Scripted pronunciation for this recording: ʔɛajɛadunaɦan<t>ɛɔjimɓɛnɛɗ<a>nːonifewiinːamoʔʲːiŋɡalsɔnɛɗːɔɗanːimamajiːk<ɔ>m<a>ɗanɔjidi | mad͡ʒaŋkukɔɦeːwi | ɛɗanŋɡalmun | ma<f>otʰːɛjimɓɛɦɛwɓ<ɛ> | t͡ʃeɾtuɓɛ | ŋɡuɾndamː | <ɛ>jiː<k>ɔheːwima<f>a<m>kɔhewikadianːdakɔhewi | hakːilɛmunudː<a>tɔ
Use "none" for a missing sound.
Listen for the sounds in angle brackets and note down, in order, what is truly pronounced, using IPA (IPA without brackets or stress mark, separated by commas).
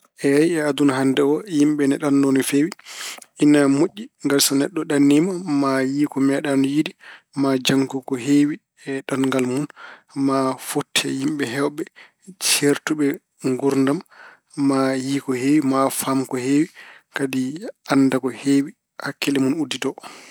d, a, ɔ, ɛ, f, ɛ, a, k, f, m, i